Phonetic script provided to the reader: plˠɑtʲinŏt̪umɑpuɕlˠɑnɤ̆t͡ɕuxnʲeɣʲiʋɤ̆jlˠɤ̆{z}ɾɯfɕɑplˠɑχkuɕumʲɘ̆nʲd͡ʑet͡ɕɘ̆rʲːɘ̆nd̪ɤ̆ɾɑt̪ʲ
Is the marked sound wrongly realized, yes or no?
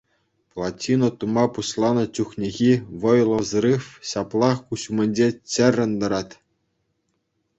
no